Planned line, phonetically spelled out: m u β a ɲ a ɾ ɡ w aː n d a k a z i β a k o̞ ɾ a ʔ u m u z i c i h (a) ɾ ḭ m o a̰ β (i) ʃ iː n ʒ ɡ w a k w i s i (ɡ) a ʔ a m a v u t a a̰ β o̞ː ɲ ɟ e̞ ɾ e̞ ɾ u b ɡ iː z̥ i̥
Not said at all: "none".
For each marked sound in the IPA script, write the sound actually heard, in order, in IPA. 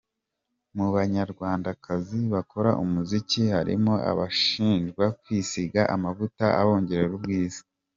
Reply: a, a, ɡ

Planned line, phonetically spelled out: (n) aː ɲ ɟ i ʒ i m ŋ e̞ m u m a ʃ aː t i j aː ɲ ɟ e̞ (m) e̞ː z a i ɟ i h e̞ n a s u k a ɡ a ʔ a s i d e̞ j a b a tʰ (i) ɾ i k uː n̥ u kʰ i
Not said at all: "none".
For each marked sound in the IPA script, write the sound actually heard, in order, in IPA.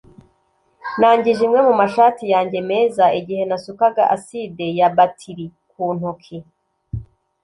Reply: n, m, i

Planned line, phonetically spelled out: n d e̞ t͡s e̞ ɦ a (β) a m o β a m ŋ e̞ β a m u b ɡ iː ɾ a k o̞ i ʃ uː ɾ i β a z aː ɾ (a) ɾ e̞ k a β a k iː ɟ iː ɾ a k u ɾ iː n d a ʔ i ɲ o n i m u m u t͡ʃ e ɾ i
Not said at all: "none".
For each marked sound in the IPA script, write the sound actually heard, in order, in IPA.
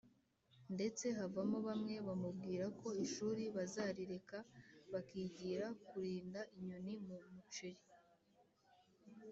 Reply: v, i

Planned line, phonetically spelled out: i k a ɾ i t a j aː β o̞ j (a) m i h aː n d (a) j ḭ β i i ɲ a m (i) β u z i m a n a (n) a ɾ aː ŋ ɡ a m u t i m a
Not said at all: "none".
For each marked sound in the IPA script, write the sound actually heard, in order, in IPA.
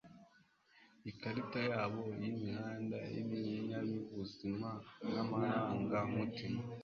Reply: i, a, i, m

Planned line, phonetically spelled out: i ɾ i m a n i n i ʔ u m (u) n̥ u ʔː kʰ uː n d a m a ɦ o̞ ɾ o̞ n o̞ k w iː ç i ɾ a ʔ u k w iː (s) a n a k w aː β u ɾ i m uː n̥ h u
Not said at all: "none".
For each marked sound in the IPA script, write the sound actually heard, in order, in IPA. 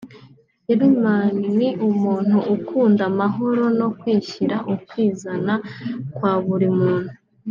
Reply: uː, z

